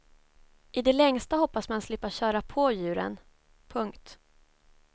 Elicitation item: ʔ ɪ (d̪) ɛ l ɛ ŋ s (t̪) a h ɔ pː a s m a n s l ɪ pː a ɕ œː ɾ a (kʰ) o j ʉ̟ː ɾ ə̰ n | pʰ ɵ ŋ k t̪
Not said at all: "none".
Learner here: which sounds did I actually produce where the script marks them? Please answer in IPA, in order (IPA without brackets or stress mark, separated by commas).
d̪, t̪, pʰ